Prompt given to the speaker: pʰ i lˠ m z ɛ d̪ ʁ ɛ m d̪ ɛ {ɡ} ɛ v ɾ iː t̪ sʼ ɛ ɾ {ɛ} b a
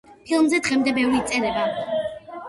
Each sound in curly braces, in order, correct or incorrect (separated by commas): incorrect, correct